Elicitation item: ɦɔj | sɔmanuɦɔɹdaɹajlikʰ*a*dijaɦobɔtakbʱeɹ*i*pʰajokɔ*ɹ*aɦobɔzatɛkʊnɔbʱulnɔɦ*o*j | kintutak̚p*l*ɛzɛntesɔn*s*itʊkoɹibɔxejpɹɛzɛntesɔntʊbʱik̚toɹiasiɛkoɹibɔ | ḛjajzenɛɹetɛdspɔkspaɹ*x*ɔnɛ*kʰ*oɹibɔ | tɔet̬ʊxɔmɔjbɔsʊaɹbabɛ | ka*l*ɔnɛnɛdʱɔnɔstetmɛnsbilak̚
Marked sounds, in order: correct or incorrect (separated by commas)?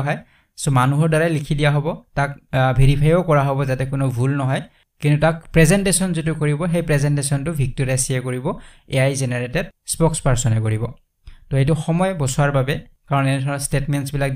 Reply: incorrect, correct, correct, incorrect, incorrect, incorrect, incorrect, incorrect, incorrect